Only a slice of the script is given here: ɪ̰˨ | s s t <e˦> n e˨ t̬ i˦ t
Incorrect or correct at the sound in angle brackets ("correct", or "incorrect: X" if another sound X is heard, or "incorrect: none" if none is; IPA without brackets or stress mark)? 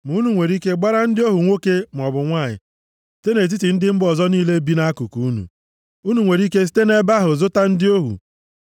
correct